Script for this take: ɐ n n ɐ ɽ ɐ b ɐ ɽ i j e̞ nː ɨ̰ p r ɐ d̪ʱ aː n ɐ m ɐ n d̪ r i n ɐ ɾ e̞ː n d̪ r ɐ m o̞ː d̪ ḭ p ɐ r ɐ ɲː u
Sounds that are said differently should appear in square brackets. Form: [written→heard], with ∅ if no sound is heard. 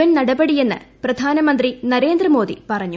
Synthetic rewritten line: ɐ n n ɐ ɽ ɐ b ɐ ɽ i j e̞ nː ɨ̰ p r ɐ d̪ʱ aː n ɐ m ɐ n d̪ r i n ɐ ɾ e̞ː n d̪ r ɐ m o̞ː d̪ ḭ p ɐ r ɐ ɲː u